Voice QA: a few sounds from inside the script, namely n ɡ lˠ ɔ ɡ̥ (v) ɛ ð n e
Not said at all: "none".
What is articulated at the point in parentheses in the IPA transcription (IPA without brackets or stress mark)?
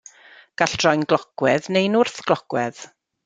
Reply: w